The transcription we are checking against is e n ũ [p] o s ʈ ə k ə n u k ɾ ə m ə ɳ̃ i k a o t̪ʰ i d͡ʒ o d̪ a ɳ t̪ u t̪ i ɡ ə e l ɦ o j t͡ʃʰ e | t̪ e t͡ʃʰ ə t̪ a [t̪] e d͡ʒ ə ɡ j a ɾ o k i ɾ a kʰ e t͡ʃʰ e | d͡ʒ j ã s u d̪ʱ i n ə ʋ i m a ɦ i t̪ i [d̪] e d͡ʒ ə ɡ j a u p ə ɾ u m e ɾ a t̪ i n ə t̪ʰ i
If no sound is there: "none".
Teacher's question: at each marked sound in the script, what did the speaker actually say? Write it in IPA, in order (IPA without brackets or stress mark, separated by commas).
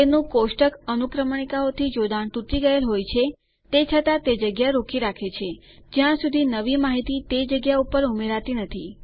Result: k, t̪, t̪